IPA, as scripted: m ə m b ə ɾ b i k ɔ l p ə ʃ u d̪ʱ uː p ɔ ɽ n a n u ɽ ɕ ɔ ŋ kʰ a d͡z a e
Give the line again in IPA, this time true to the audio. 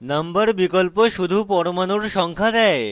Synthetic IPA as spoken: n ə m b ə ɾ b i k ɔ l p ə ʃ u d̪ʱ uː p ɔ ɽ m a n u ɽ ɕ ɔ ŋ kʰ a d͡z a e

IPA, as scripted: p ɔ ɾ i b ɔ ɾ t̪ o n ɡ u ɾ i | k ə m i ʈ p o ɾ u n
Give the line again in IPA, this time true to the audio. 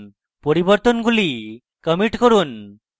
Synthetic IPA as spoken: p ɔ ɾ i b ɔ ɾ t̪ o n ɡ u l i | k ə m i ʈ k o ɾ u n

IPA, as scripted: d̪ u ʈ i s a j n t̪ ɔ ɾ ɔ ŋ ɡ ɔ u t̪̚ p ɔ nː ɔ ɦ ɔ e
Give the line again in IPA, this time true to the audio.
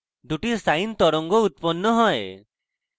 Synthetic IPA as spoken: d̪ u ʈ i s a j n t̪ ɔ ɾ ɔ ŋ ɡ ɔ u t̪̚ p ɔ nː ɔ ɦ ɔ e

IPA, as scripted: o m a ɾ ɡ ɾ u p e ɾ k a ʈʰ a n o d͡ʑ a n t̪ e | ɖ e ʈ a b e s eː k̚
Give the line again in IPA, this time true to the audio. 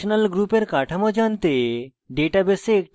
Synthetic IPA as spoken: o n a l ɡ ɾ u p e ɾ k a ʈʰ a m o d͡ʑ a n t̪ e | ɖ e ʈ a b e s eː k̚

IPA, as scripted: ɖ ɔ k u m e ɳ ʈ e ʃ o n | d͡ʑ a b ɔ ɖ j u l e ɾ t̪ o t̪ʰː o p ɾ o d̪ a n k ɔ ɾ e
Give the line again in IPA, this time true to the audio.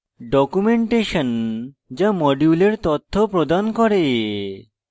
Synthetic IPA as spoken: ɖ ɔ k u m e ɳ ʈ e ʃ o n | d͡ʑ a m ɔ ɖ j u l e ɾ t̪ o t̪ʰː o p ɾ o d̪ a n k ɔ ɾ e

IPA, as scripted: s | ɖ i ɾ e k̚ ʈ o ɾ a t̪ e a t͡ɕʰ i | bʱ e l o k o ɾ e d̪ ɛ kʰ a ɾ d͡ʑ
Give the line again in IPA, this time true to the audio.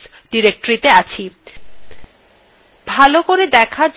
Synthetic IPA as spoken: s | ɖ i ɾ e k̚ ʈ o ɾ i t̪ e a t͡ɕʰ i | bʱ a l o k o ɾ e d̪ ɛ kʰ a ɾ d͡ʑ

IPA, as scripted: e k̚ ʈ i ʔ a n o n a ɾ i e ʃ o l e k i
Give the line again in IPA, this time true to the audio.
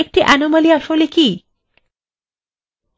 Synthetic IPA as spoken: e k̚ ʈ i ʔ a n o m a l i a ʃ o l e k i

